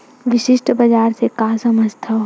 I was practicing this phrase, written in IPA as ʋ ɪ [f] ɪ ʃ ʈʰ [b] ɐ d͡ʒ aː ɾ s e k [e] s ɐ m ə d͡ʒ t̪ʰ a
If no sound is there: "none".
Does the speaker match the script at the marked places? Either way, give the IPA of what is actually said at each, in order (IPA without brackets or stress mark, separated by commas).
ʃ, b, a